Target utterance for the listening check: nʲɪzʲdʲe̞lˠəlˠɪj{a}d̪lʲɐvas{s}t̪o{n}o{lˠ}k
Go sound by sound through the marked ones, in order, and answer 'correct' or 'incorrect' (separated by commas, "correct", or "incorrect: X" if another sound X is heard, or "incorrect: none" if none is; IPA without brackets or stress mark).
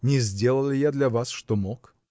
correct, incorrect: ʂ, incorrect: m, incorrect: none